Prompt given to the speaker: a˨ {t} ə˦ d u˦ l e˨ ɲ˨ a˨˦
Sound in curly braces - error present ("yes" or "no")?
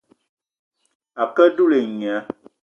yes